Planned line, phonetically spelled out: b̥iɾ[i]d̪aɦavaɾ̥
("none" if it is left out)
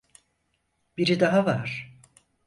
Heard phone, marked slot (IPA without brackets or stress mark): i